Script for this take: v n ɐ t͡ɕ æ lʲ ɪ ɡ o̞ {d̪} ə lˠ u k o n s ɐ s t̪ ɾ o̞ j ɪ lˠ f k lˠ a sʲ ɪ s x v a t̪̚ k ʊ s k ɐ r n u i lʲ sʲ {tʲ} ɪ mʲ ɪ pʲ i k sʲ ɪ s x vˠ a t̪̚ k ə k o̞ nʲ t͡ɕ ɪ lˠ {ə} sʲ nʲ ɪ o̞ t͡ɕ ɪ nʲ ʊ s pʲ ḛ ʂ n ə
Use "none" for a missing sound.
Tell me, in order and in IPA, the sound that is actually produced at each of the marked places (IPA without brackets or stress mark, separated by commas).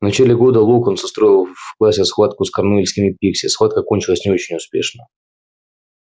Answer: d̪, kʲ, ə